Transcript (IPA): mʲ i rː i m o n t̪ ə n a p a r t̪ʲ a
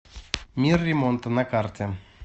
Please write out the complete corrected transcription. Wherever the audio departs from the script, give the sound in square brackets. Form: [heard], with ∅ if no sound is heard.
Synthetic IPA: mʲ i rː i m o n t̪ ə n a [k] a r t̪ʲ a